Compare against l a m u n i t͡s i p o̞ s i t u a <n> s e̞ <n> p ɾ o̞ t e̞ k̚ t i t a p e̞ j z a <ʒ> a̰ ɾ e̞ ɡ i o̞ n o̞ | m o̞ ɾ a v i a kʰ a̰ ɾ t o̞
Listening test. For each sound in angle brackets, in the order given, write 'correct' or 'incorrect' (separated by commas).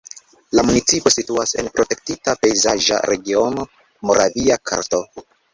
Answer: incorrect, correct, correct